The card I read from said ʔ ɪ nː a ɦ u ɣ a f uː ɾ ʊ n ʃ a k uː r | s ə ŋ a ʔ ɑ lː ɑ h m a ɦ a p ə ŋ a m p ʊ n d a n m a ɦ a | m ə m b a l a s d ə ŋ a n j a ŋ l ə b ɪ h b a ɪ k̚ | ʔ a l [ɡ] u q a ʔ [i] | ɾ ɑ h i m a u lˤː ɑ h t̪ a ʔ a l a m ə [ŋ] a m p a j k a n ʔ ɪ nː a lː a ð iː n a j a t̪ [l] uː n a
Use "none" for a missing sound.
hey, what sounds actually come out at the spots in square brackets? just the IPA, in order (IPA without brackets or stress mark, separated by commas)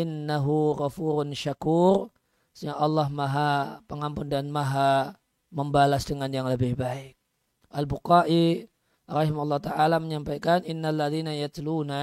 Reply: b, i, ɲ, l